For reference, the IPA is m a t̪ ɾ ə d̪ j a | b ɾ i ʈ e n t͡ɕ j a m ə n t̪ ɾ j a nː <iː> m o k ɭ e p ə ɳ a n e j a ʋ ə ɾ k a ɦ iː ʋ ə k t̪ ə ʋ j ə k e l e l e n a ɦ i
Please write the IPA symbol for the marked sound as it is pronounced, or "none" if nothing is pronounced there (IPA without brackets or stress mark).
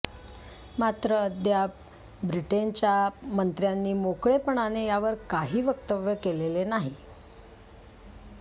iː